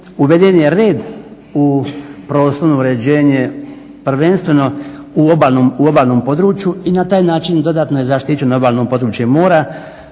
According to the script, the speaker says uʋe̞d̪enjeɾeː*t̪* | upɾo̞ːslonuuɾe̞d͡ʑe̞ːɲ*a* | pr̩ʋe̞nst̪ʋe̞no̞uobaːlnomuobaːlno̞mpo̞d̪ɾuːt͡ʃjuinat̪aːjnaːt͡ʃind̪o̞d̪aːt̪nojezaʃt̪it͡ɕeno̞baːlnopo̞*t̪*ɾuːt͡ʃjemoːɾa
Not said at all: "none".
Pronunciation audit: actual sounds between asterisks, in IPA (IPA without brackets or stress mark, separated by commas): d̪, e, d̪